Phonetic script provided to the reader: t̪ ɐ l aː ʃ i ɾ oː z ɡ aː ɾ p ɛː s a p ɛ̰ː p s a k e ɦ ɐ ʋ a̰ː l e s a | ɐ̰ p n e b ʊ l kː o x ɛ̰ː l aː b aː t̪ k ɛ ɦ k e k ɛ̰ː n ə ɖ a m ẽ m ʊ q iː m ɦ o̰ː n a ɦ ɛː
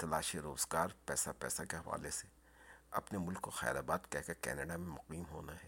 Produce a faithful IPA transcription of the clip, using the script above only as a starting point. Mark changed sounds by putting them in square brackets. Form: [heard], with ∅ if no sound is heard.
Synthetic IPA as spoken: t̪ ɐ l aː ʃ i ɾ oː z ɡ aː ɾ p ɛː s a p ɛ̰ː [∅] s a k e ɦ ɐ ʋ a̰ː l e s [e] | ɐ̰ p n e [m] ʊ l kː o x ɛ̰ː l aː b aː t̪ k ɛ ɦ k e k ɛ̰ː n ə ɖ a m ẽ m ʊ q iː m ɦ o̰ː n a ɦ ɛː